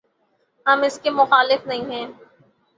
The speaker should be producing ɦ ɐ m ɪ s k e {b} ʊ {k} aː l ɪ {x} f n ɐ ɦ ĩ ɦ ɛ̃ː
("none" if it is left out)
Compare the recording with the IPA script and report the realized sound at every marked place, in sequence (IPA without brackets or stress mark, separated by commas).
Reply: m, x, none